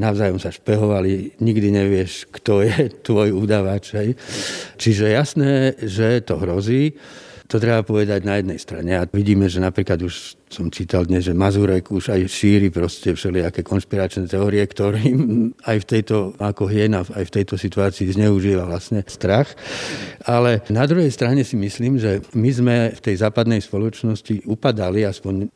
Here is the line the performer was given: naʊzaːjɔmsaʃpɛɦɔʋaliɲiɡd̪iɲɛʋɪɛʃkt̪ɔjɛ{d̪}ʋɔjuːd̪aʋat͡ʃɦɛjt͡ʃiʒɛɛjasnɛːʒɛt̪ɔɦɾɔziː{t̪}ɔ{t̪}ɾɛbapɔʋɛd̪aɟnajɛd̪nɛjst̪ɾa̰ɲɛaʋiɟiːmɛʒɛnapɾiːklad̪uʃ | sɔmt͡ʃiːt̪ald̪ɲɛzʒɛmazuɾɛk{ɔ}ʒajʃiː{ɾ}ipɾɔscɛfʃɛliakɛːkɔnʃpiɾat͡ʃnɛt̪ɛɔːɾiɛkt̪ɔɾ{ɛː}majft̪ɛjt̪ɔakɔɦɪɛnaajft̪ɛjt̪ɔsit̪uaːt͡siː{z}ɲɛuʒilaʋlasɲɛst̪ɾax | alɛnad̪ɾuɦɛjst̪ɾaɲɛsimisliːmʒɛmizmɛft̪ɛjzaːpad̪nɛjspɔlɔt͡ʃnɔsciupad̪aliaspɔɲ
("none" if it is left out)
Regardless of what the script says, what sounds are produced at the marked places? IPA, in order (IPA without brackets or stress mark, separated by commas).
t̪, t̪, t̪, u, ɾ, iː, z